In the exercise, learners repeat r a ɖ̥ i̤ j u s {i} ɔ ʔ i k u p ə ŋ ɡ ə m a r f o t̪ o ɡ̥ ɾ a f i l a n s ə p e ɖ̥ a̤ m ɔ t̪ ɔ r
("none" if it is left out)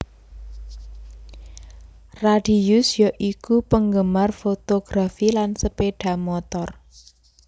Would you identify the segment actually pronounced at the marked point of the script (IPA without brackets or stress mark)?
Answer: j